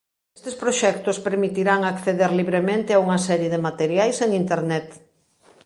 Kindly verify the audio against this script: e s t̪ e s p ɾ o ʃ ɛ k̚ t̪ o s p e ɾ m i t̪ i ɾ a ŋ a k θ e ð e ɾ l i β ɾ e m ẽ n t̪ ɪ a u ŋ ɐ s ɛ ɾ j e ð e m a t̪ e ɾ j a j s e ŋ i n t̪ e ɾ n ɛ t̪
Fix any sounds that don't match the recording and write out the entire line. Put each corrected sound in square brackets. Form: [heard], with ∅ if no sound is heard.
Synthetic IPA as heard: e s t̪ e s p ɾ o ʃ ɛ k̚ t̪ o s p e ɾ m i t̪ i ɾ a ŋ a k θ e ð e ɾ l i β ɾ e m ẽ n t̪ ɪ a u ŋ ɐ s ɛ ɾ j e ð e m a t̪ e ɾ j a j s e ŋ i n t̪ e ɾ n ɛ t̪